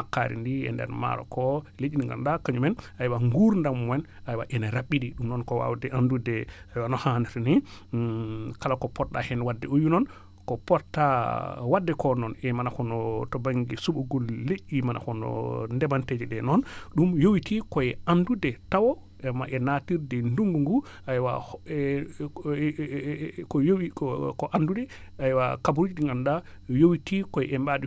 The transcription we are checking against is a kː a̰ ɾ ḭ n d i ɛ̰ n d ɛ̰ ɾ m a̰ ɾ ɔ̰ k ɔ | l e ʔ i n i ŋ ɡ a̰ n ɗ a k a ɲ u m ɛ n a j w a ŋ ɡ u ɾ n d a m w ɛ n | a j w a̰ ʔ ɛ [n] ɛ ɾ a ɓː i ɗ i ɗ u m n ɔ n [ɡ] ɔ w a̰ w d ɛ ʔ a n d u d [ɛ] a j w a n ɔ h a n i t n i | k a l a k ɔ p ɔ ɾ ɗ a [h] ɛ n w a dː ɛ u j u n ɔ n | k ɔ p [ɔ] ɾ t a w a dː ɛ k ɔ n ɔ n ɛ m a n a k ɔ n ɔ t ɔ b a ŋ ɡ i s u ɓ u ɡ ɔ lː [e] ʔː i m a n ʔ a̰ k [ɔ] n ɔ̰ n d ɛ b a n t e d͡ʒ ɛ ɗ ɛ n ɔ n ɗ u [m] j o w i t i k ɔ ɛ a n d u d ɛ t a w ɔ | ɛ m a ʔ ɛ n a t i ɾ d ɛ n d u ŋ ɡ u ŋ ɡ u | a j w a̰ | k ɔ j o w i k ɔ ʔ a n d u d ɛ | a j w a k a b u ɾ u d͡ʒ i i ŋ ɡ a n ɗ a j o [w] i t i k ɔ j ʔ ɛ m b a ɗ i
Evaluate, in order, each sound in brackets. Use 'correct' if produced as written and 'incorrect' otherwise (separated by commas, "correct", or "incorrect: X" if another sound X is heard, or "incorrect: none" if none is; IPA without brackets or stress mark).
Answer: correct, incorrect: k, correct, correct, correct, correct, correct, correct, correct